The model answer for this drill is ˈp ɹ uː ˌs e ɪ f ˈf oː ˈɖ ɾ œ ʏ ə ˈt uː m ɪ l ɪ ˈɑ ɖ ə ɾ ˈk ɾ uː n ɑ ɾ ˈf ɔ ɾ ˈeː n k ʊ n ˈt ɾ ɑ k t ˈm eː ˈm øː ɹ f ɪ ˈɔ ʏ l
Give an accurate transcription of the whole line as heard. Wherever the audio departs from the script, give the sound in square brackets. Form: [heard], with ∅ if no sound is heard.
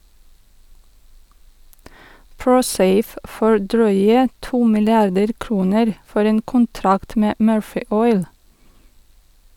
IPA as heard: ˈp ɹ uː ˌs e ɪ f ˈf oː ˈɖ ɾ œ ʏ ə ˈt uː m ɪ l ɪ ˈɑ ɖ ə ɾ ˈk ɾ uː n [ə] ɾ ˈf ɔ ɾ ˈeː n k ʊ n ˈt ɾ ɑ k t ˈm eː ˈm øː ɹ f ɪ ˈɔ ʏ l